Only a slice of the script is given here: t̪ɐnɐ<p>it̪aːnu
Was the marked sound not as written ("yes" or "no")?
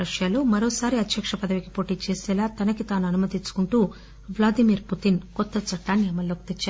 yes